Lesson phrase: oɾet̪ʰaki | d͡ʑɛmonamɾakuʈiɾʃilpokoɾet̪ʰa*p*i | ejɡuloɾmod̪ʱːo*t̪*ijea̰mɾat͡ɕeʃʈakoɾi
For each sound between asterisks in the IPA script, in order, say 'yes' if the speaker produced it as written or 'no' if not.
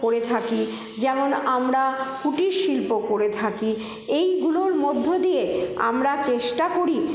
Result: no, no

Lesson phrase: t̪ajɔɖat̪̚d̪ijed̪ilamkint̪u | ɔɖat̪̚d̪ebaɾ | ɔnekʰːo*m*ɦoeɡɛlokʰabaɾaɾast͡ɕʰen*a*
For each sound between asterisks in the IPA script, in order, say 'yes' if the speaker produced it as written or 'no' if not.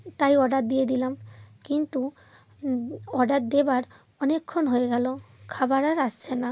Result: no, yes

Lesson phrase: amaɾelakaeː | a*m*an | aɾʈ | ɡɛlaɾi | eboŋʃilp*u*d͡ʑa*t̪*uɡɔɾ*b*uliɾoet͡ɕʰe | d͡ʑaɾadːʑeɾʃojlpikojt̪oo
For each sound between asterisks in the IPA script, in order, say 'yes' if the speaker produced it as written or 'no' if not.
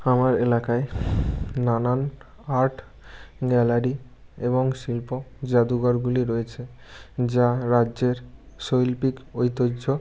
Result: no, no, no, no

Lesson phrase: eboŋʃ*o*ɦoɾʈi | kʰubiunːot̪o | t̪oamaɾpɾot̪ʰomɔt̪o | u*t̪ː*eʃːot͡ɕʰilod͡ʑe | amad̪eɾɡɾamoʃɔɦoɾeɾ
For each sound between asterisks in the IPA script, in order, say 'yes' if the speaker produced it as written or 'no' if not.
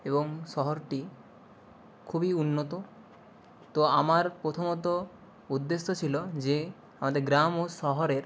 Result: no, no

